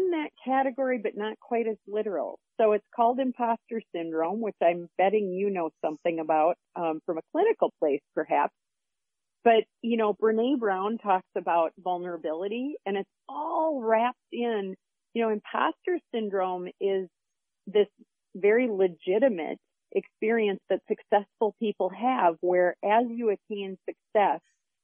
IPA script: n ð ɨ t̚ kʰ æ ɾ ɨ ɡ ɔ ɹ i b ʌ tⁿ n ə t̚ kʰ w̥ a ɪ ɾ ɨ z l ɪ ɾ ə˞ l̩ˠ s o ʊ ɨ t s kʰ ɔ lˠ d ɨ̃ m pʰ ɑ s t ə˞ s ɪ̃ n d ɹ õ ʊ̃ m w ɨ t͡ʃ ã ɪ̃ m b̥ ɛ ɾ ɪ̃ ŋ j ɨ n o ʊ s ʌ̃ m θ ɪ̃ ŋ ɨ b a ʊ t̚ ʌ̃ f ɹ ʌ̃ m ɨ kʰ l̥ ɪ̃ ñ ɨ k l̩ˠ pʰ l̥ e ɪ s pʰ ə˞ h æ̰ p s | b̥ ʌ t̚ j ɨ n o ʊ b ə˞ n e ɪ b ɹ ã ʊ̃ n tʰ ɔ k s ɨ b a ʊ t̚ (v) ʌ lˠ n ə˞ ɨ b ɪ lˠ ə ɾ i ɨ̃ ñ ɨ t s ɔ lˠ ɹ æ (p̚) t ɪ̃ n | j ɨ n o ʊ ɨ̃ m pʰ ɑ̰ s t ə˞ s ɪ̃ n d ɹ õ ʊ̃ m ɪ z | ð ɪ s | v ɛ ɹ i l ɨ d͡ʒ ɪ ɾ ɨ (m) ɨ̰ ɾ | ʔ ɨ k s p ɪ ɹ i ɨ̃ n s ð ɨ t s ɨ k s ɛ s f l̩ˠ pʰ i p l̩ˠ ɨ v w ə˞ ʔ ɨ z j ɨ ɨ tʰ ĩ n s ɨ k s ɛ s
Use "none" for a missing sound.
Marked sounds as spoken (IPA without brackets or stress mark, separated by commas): v, p̚, m